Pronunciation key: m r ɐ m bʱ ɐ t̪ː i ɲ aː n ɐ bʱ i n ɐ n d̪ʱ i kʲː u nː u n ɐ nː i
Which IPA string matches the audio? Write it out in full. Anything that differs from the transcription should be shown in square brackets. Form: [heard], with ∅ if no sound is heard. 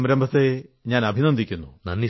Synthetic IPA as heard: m [ɾ] ɐ m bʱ ɐ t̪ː [e] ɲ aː n ɐ bʱ i n ɐ n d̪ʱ i kʲː u nː u n ɐ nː i